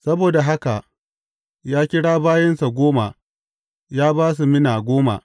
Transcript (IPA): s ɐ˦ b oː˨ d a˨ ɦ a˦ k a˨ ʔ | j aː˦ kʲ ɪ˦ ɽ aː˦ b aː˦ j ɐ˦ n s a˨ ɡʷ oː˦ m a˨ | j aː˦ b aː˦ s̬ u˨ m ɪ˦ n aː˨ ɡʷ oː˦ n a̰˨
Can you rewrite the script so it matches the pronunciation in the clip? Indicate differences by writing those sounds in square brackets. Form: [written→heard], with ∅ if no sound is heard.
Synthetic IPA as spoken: s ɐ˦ b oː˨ d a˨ ɦ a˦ k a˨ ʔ | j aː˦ kʲ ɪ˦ ɽ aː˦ b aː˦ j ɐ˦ n s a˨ ɡʷ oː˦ m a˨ | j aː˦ b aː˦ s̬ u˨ m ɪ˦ n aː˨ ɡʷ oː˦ [n→m] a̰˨